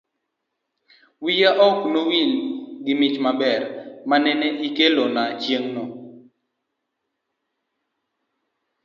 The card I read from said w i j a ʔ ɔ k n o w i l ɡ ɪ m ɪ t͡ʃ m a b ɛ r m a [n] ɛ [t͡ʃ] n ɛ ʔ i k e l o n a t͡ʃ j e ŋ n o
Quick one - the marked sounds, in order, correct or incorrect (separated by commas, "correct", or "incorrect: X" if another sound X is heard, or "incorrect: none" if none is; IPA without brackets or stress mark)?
correct, incorrect: none